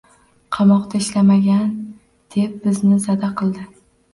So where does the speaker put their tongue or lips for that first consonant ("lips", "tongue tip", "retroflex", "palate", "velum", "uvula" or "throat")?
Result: uvula